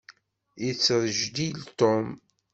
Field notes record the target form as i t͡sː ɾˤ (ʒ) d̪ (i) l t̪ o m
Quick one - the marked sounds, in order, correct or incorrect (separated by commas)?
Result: correct, correct